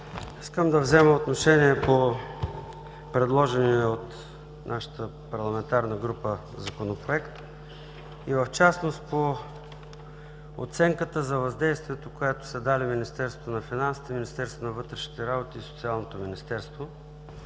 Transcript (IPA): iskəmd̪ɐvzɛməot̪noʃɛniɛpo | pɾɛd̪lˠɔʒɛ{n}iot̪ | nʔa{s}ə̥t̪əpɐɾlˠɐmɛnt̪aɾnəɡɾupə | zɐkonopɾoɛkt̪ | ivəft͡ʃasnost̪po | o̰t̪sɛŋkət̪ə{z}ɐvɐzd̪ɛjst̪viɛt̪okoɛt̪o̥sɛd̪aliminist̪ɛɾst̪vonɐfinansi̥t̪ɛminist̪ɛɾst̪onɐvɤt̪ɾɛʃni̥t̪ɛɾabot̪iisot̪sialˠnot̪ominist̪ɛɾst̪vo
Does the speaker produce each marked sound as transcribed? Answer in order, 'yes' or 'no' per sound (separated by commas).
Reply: yes, no, yes